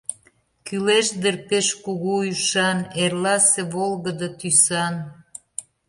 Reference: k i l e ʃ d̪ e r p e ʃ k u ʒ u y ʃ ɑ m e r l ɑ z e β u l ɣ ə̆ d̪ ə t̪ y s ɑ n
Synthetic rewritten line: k y l e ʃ d̪ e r p e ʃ k u ɣ u y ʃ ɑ n e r l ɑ s e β o l ɣ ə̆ d̪ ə t̪ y s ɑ n